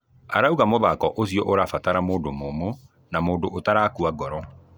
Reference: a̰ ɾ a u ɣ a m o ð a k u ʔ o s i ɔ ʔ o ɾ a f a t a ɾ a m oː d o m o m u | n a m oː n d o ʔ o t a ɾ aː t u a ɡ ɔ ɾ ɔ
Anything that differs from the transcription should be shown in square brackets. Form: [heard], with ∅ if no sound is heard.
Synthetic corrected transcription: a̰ ɾ a u ɣ a m o ð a k [ɔ] ʔ o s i ɔ ʔ o ɾ a f a t a ɾ a m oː d o m o m [o] | n a m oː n d o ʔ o t a ɾ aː [k] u a ɡ ɔ ɾ ɔ